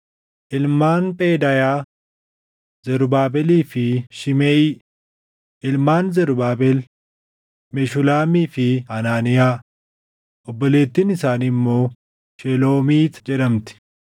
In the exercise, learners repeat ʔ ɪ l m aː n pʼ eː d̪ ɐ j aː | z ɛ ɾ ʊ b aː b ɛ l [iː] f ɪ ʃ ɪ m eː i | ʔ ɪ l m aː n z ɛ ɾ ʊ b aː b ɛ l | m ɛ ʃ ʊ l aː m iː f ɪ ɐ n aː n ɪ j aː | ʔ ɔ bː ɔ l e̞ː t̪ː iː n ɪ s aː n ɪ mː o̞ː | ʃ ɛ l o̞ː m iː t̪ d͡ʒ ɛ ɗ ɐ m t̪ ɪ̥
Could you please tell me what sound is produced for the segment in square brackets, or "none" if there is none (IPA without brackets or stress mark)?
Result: iː